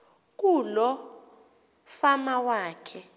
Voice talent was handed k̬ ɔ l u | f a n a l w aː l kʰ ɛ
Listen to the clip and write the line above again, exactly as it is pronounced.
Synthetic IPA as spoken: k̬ u l ɔ | f a m a w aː kʰ ɛ